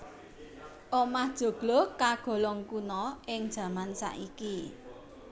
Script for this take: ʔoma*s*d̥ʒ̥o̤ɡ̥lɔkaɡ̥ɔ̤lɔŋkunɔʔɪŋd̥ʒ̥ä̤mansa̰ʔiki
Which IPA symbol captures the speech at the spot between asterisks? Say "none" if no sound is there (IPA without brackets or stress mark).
h